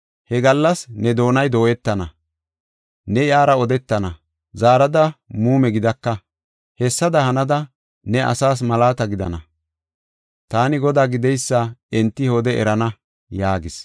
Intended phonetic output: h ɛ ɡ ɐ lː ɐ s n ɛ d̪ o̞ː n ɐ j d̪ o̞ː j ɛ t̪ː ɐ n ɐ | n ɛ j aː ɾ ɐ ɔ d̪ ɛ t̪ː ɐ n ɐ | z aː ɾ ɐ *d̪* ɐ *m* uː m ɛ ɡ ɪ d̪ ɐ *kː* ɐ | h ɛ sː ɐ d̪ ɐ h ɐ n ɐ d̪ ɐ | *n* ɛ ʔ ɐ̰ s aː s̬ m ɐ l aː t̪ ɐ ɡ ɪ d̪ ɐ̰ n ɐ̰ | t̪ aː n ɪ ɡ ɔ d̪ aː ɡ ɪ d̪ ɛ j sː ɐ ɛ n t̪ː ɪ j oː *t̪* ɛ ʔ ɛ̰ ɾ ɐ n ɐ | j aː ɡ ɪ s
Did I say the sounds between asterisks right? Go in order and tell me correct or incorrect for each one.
correct, correct, correct, correct, incorrect

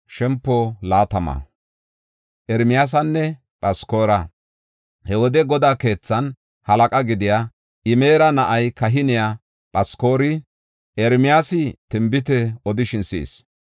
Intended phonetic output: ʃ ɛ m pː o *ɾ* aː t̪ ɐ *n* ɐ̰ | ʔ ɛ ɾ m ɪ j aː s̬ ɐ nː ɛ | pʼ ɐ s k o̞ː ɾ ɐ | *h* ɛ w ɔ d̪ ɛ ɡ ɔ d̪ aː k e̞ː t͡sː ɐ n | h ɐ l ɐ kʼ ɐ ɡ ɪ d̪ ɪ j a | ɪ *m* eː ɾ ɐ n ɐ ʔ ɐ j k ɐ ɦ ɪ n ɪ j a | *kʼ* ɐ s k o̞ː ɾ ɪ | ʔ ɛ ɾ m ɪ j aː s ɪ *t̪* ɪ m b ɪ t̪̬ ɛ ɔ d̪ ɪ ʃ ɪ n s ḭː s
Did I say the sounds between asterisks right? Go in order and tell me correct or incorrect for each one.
incorrect, incorrect, correct, correct, incorrect, correct

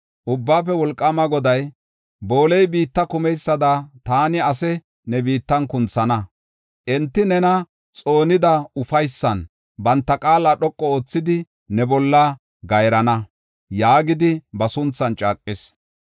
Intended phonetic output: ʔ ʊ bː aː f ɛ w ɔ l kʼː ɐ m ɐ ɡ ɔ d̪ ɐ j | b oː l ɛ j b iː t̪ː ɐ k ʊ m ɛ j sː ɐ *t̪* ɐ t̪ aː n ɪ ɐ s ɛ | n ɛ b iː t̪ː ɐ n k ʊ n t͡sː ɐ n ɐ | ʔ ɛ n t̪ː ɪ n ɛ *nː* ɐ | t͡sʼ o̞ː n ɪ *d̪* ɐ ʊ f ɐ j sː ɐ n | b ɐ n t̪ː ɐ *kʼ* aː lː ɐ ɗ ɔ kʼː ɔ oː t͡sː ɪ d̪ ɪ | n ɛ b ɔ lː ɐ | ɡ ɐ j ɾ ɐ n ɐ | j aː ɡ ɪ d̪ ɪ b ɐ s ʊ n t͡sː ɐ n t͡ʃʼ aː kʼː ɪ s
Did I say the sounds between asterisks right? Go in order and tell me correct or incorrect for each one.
incorrect, incorrect, correct, correct

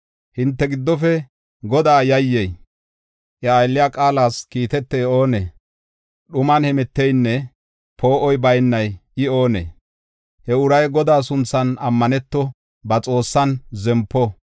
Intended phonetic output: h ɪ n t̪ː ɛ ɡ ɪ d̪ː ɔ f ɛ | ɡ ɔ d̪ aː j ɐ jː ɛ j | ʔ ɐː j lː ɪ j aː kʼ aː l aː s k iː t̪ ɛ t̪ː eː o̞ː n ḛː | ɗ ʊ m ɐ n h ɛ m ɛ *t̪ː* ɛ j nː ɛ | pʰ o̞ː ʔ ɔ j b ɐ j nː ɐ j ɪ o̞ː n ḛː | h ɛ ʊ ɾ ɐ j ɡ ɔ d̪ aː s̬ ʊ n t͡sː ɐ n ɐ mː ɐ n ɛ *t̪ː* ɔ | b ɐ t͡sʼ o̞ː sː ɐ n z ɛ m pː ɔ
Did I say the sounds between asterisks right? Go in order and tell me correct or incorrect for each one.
correct, correct

